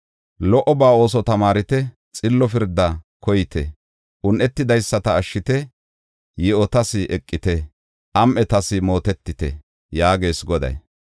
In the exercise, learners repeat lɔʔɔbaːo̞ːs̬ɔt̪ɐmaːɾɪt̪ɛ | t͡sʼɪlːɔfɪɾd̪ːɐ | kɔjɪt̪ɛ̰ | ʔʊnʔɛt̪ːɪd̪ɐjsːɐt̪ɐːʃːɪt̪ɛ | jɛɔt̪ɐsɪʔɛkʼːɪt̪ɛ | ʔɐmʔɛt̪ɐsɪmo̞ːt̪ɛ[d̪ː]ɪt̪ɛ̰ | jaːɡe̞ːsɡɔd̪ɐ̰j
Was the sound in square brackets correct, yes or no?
no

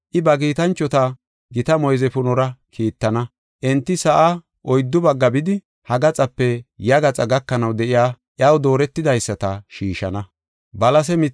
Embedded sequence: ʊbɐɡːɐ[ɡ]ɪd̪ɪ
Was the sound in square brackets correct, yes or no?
no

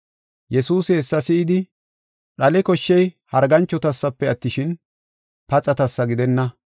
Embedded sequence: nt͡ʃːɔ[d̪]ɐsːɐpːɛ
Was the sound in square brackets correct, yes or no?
no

